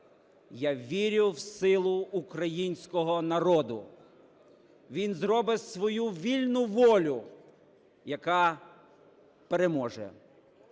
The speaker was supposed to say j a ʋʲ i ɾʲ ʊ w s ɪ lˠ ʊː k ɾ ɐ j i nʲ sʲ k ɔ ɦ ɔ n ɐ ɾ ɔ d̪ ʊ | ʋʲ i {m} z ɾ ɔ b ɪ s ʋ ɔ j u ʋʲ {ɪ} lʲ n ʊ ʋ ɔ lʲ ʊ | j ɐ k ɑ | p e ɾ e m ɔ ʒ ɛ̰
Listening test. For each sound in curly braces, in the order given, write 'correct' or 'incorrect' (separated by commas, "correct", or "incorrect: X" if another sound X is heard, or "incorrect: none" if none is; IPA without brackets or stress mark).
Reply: incorrect: n, incorrect: i